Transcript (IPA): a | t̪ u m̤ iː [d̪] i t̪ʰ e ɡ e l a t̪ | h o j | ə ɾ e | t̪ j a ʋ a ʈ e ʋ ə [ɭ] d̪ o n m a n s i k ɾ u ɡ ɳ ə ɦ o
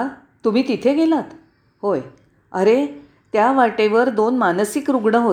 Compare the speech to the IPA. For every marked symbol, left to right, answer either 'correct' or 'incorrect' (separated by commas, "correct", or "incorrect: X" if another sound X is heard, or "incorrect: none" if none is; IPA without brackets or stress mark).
incorrect: t̪, incorrect: ɾ